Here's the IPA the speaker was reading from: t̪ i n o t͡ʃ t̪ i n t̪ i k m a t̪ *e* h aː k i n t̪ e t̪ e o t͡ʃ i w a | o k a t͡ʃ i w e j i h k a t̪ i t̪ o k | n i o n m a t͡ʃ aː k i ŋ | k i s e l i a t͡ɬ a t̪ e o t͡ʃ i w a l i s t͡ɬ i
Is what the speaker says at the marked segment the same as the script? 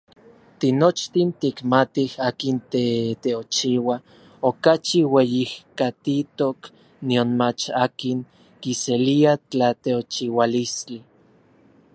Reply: no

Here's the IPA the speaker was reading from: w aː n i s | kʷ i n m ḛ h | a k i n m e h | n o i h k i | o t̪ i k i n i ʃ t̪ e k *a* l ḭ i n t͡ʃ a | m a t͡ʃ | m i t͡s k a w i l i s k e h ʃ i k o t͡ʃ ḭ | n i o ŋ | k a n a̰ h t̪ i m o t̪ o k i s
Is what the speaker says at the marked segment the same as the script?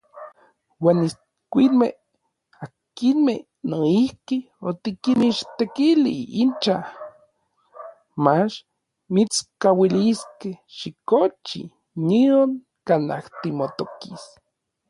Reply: no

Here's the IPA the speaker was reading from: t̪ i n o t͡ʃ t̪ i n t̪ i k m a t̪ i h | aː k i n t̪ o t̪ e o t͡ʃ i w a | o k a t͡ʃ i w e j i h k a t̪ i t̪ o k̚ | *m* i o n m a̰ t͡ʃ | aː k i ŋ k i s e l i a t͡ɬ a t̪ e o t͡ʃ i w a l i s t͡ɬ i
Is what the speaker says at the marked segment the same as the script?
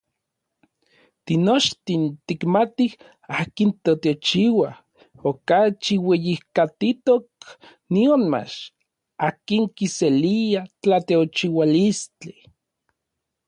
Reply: no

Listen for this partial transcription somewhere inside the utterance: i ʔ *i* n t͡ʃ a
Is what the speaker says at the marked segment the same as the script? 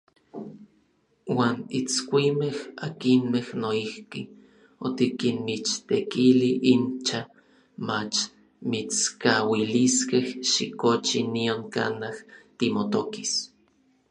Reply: yes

